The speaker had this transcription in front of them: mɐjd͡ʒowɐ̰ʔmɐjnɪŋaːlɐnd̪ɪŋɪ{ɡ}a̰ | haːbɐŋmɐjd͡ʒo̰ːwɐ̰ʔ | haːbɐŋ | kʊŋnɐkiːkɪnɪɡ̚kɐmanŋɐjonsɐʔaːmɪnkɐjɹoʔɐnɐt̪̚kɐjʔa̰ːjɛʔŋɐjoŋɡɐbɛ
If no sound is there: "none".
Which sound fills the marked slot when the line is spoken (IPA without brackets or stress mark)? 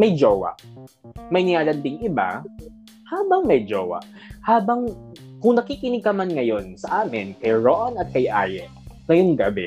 b